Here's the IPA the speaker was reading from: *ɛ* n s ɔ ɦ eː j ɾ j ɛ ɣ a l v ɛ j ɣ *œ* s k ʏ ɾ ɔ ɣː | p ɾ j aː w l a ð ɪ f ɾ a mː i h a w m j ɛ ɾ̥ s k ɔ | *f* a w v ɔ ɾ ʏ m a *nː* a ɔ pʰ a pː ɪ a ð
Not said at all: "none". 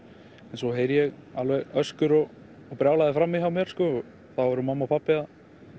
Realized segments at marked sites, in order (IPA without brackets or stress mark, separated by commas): ɛ, œ, θ, mː